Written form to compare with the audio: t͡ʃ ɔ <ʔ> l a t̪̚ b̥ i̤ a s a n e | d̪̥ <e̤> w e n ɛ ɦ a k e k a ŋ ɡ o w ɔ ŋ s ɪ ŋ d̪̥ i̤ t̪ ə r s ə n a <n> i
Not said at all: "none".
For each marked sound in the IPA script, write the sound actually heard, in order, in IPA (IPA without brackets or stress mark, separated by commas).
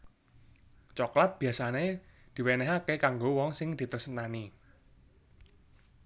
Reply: k, i̤, n